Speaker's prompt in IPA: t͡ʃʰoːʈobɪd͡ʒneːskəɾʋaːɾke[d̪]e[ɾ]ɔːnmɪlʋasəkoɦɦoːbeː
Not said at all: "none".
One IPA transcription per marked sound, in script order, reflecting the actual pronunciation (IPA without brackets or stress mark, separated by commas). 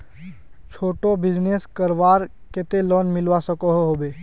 t̪, l